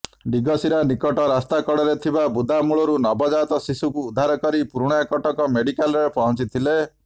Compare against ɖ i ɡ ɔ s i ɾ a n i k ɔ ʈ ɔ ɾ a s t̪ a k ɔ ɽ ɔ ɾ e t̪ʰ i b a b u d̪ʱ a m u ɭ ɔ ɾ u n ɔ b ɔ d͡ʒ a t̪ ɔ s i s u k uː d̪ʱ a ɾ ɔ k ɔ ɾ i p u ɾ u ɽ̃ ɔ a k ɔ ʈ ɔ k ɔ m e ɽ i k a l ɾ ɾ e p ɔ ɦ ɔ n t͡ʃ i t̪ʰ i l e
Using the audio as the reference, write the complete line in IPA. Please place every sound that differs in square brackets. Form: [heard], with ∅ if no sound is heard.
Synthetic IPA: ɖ i ɡ ɔ s i ɾ a n i k ɔ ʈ ɔ ɾ a s t̪ a k ɔ ɽ ɔ ɾ e t̪ʰ i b a b u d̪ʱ a m u ɭ ɔ ɾ u n ɔ b ɔ d͡ʒ a t̪ ɔ s i s u k uː d̪ʱ a ɾ ɔ k ɔ ɾ i p u ɾ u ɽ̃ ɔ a k ɔ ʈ ɔ k ɔ m e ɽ i k a l ɾ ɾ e p ɔ ɦ ɔ n t͡ʃ i t̪ʰ i l e